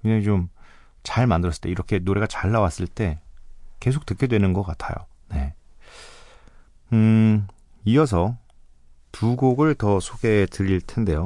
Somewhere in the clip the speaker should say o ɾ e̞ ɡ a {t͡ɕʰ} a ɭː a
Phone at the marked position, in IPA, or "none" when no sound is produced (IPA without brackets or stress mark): t͡ɕ